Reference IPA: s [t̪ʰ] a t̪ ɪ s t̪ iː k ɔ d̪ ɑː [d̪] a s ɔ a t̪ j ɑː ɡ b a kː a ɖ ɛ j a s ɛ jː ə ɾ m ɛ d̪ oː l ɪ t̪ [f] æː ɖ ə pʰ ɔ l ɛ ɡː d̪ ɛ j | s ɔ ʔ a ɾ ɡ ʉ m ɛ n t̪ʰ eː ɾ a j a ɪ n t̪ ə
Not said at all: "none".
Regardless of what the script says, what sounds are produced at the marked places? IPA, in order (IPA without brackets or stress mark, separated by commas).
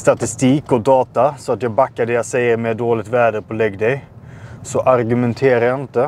t̪, t̪, v